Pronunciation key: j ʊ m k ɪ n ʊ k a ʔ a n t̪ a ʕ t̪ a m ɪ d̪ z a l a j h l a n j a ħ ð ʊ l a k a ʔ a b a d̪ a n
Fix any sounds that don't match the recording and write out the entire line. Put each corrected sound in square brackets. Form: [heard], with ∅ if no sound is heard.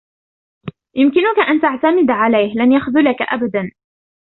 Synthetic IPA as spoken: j ʊ m k ɪ n ʊ k a ʔ a n t̪ a ʕ t̪ a m ɪ d̪ [ʕ] a l a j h l a n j a [x] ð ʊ l a k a ʔ a b a d̪ a n